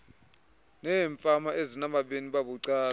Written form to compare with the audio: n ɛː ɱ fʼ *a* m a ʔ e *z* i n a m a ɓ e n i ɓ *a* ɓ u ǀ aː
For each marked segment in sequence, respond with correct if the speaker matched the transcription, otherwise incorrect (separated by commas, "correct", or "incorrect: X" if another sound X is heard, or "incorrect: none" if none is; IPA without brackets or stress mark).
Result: correct, correct, correct